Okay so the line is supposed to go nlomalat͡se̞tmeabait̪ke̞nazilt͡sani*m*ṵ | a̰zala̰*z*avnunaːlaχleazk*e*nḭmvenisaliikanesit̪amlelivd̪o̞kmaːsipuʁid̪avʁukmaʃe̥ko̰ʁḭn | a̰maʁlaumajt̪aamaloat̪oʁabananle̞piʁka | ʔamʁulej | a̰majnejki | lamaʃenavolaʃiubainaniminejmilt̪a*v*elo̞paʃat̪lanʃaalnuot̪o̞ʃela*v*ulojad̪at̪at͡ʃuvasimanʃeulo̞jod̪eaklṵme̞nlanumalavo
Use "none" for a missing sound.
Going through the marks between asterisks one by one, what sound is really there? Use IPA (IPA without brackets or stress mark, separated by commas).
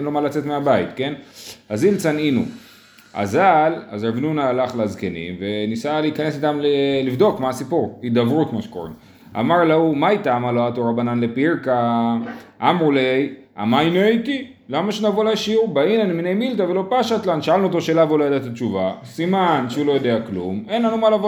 n, z, e, v, v